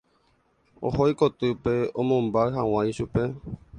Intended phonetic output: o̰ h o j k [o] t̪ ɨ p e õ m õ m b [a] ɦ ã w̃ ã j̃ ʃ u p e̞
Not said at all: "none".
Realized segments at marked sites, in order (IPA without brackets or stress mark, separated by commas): o, a